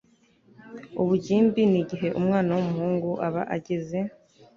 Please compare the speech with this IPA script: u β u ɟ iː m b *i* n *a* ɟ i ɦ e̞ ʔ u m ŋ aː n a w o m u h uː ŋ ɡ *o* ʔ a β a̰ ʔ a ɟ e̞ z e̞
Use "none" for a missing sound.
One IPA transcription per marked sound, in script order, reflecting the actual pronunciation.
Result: i, i, u

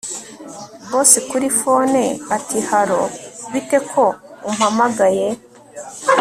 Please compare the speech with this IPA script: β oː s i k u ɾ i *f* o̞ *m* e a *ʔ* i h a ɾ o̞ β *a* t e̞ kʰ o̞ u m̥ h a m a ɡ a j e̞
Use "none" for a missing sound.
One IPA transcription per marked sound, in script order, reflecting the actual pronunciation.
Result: f, n, t, i

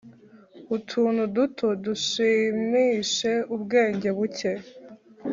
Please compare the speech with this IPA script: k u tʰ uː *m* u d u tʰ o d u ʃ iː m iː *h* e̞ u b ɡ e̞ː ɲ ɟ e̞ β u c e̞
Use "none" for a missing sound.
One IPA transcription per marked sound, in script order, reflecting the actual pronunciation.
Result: n, ʃ

